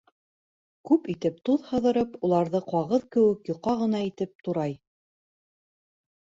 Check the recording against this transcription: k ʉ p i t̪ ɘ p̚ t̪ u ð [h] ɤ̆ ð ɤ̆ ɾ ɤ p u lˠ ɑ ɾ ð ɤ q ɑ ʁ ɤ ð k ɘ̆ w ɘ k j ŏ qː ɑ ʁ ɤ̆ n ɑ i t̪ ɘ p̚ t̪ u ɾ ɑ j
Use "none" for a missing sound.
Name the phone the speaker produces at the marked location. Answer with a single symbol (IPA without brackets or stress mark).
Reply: h